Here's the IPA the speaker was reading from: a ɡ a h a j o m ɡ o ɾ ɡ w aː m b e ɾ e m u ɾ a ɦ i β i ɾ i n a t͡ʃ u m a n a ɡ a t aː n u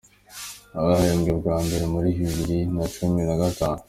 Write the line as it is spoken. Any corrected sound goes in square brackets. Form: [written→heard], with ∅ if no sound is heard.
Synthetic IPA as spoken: a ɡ a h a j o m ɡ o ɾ ɡ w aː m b e ɾ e m u ɾ [a→i] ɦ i β i ɾ i n a t͡ʃ u m [a→i] n a ɡ a t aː n u